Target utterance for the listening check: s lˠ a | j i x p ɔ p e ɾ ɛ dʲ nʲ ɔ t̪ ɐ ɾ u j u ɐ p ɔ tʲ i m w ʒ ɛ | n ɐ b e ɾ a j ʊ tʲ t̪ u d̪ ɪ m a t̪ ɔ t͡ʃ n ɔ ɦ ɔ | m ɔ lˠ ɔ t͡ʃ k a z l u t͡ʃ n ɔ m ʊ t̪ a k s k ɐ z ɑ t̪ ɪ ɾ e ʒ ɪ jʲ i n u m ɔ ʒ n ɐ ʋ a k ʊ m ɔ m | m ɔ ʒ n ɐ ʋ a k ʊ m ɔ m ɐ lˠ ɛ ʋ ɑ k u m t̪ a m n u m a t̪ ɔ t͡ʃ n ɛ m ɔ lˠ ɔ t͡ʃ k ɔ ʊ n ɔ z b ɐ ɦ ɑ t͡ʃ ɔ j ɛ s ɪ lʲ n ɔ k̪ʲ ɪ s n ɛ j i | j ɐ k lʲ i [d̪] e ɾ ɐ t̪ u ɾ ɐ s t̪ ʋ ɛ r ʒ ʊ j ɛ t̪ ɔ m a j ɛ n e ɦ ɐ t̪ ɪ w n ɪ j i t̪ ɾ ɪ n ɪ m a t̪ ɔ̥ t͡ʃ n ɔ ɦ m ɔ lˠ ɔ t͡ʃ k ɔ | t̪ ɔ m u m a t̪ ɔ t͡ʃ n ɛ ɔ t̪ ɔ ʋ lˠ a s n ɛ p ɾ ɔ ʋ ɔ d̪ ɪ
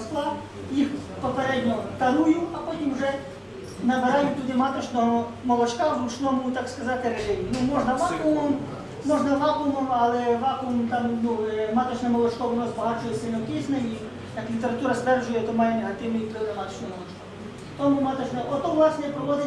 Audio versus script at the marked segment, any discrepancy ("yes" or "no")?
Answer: yes